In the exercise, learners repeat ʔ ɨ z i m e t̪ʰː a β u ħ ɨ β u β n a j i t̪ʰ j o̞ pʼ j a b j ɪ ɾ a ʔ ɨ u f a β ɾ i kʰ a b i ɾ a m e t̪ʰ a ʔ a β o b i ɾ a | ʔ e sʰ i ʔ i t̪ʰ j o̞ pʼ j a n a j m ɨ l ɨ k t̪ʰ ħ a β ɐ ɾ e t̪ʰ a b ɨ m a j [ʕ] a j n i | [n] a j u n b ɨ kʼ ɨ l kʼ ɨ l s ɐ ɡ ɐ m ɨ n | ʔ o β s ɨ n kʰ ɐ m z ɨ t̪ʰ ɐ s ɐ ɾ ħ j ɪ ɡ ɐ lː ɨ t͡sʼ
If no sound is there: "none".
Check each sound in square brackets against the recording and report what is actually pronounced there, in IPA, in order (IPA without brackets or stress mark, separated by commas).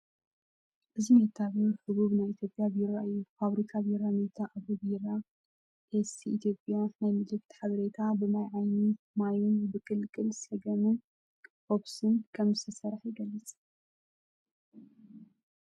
ʕ, m